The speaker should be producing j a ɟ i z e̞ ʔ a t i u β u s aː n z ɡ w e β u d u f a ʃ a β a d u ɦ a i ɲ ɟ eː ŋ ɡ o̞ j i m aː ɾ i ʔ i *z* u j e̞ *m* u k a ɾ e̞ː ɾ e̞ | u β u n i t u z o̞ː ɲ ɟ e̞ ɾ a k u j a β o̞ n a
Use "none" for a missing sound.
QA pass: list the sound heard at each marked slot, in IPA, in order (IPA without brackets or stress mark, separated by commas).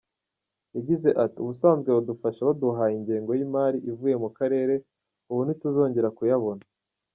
v, m